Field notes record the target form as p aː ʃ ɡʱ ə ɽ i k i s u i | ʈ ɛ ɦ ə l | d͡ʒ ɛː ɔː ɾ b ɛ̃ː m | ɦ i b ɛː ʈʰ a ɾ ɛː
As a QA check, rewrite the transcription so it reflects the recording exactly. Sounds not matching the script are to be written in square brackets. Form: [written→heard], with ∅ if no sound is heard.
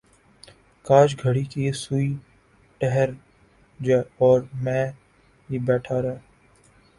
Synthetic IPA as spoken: [p→k] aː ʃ ɡʱ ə ɽ i k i s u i | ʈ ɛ ɦ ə [l→ɾ] | d͡ʒ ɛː ɔː ɾ [b→m] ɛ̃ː [m→∅] | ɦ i b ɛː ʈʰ a ɾ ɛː